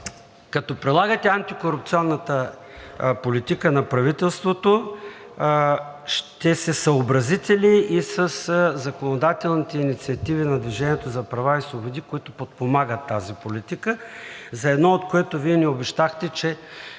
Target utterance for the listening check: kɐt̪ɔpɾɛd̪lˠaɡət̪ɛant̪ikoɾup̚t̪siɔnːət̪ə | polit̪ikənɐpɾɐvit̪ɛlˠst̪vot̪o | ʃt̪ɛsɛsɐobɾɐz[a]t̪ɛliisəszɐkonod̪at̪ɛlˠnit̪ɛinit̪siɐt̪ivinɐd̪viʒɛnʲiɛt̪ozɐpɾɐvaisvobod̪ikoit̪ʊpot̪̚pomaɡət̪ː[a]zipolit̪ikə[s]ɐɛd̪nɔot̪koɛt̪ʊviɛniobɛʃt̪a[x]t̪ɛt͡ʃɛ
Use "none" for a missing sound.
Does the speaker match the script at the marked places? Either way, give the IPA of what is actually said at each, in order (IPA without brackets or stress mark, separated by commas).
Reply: i, a, z, x